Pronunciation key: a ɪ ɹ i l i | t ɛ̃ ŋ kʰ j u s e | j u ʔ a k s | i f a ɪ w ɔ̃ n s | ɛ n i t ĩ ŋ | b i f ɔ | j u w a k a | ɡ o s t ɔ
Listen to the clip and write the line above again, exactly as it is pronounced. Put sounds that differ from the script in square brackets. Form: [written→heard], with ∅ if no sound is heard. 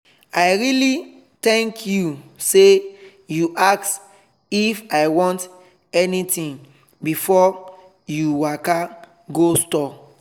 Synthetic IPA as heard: a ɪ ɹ i l i | t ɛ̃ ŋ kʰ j u s e | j u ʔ a k s | i f a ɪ w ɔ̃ n [s→t] | ɛ n i t ĩ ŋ | b i f ɔ | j u w a k a | ɡ o s t ɔ